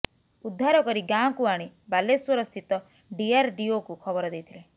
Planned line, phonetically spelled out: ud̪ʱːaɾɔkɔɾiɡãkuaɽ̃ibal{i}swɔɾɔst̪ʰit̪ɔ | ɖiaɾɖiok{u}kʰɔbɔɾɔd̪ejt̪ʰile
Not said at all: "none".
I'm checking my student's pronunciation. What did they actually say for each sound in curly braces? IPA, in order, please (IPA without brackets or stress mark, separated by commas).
e, u